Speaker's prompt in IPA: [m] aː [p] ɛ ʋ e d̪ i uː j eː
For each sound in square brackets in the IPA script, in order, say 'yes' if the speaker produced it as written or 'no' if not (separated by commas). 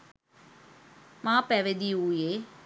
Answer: yes, yes